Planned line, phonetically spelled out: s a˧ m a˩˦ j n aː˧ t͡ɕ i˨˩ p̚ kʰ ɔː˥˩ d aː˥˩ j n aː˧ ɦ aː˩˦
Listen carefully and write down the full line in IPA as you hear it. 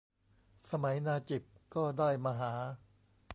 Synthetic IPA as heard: s a˧ m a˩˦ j n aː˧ t͡ɕ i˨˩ p̚ k ɔː˥˩ d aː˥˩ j m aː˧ ɦ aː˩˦